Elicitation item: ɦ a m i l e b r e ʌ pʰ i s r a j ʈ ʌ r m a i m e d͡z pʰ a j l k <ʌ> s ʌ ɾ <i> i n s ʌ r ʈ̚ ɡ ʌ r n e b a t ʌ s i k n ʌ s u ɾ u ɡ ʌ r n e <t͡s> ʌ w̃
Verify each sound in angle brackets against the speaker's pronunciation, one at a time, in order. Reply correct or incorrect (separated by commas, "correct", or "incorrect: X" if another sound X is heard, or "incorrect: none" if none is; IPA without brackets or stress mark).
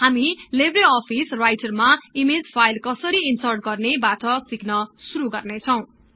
correct, correct, incorrect: t͡sʰ